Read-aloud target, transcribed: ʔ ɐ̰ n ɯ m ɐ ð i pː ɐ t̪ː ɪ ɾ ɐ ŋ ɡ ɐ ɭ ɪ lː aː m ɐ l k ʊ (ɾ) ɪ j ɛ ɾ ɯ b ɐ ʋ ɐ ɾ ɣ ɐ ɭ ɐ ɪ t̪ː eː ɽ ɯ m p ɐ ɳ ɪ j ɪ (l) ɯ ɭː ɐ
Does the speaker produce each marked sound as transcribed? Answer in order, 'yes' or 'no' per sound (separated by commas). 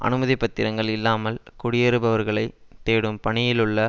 no, yes